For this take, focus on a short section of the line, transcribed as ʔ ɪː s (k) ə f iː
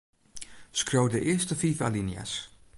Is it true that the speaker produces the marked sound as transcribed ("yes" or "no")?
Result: no